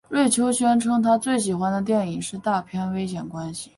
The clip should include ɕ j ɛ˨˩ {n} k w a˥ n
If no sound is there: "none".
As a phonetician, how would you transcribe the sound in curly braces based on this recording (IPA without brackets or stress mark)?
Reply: n